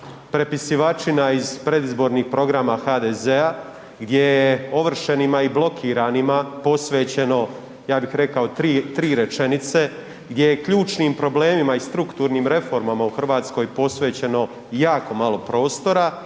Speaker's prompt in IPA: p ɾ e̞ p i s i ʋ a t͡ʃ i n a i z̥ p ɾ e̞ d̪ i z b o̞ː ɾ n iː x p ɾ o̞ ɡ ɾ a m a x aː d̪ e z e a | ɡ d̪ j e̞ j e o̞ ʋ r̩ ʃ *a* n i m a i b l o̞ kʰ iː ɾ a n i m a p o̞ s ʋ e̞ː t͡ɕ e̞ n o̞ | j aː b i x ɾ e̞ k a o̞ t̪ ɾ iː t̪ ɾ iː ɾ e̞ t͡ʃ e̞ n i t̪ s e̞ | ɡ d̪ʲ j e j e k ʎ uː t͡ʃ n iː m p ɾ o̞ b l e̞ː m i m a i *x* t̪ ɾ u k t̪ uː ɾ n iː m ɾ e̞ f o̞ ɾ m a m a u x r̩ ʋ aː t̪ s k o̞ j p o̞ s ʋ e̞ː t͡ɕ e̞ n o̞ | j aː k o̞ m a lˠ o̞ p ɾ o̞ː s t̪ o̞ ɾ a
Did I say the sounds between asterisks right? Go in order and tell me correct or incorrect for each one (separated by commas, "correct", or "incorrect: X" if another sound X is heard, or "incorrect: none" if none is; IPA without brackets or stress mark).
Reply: incorrect: e, incorrect: s